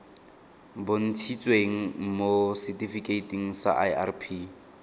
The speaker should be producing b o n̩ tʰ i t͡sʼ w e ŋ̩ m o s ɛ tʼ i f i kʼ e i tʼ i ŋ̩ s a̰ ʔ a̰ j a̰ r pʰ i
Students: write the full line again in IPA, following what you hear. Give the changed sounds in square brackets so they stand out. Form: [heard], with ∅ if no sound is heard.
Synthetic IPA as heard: b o n̩ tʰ i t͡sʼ w e ŋ̩ m o s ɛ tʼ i f i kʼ e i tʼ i ŋ̩ s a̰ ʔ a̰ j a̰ r pʰ i